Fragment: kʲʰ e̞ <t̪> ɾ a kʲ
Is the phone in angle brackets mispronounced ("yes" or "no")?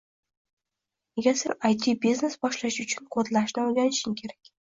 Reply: yes